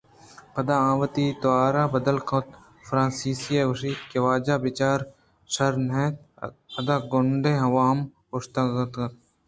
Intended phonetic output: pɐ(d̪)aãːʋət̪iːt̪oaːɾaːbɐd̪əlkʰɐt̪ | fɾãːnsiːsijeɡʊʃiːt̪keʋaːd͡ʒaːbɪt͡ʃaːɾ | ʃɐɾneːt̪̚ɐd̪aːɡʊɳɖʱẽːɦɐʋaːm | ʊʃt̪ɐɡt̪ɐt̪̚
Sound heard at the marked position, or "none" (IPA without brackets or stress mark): d̪